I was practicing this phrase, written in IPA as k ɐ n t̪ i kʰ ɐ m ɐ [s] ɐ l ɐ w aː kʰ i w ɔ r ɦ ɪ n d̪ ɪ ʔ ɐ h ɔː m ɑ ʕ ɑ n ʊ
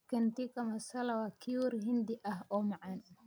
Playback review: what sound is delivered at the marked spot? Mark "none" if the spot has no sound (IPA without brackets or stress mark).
s